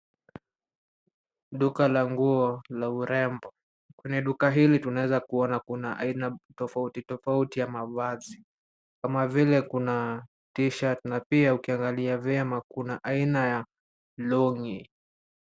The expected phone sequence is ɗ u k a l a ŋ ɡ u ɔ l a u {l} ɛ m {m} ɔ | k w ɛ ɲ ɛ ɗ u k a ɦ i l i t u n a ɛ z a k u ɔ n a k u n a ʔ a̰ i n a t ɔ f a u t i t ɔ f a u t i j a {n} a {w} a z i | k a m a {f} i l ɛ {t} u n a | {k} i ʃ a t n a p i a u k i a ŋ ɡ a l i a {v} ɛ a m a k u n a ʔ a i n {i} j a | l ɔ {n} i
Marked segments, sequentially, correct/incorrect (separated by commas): incorrect, incorrect, incorrect, incorrect, incorrect, incorrect, incorrect, correct, incorrect, incorrect